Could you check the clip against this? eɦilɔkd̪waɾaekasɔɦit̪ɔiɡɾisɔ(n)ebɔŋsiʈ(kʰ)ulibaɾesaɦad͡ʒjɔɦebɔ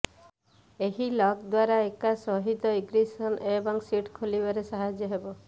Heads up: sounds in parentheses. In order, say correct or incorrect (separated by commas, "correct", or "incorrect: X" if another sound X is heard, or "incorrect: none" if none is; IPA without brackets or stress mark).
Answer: correct, correct